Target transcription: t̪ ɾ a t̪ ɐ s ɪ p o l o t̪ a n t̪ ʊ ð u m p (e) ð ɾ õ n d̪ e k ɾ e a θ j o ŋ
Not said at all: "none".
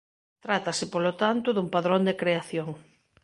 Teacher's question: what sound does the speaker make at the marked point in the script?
a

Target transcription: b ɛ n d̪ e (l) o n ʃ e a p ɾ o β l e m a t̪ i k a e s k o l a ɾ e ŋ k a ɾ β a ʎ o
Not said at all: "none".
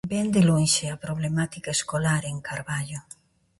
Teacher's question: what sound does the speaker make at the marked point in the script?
l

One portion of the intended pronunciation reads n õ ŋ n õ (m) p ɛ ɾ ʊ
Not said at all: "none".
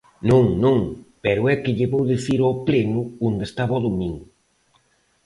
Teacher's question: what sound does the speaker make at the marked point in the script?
ŋ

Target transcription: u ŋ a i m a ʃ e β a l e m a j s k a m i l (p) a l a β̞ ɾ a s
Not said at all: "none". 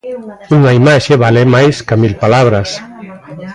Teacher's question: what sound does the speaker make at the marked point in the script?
p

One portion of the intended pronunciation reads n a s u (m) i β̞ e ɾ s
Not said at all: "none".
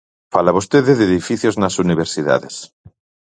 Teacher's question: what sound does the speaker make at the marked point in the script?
n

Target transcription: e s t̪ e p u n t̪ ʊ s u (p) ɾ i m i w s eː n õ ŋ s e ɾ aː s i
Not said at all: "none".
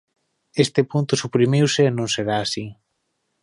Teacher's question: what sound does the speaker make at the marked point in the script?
p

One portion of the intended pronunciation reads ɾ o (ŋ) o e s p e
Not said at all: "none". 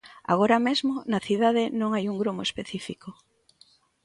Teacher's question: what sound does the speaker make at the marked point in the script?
m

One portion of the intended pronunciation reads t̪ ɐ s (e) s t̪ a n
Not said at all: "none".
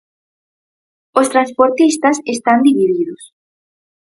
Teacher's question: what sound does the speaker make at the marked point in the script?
e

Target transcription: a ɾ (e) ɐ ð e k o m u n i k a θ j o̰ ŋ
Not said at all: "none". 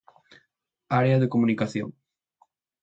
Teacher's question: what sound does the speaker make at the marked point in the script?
e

